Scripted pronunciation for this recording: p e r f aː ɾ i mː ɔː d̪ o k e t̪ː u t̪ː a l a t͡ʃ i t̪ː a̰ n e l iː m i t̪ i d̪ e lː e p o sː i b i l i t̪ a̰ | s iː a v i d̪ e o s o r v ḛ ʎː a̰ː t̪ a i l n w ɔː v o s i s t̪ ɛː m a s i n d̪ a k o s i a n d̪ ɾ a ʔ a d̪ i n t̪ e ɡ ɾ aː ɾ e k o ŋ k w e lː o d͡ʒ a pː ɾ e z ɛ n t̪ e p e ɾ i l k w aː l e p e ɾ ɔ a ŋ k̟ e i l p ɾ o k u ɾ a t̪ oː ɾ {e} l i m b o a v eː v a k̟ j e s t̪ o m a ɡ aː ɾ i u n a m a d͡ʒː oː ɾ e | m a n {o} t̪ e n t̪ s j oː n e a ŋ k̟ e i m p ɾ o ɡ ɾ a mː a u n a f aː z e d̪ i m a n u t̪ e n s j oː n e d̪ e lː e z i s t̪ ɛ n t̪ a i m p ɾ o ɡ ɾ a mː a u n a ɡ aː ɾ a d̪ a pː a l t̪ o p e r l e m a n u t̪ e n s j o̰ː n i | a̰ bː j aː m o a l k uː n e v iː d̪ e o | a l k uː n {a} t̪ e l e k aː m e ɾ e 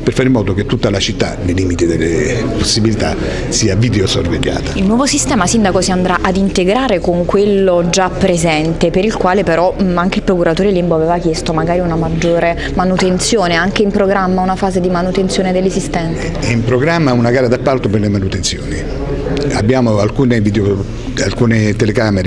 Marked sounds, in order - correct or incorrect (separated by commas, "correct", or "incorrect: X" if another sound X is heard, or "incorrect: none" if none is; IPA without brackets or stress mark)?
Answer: correct, incorrect: u, incorrect: e